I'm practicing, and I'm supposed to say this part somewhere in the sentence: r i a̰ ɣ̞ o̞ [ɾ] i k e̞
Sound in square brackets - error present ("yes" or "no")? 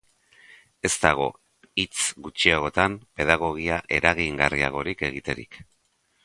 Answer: no